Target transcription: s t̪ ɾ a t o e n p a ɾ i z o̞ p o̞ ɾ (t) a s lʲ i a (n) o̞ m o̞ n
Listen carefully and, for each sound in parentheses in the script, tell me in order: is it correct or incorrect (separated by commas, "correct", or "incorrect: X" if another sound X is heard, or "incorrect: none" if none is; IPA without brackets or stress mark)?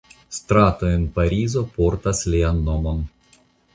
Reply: correct, incorrect: nː